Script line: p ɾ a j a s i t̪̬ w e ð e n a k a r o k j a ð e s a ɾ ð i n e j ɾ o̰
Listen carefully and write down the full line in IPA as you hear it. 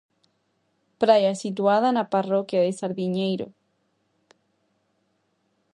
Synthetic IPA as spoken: p ɾ a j a s i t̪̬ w a ð a n a p a r o k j a ð e s a ɾ ð i ɲ e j ɾ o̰

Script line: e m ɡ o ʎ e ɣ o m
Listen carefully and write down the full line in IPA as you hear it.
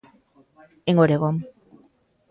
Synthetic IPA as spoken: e ŋ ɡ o ɾ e ɣ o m

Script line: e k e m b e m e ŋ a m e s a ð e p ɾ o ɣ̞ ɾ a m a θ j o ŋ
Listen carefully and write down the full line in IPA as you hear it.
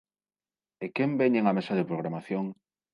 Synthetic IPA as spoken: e k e m b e ɲ e ŋ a m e s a ð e p ɾ o ɣ̞ ɾ a m a θ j o ŋ

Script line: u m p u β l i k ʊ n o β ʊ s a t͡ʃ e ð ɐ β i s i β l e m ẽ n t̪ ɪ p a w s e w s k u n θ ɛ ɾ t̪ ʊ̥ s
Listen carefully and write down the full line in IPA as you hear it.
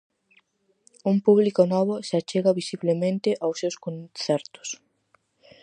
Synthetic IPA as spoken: u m p u β l i k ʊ n ɔ β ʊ s a t͡ʃ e ɣ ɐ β i s i β l e m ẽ n t̪ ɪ ʔ a w s e w s k o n θ ɛ ɾ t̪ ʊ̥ s

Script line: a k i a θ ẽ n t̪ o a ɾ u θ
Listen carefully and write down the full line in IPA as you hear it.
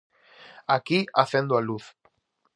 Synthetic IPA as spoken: a k i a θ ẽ n d̪ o a l u θ

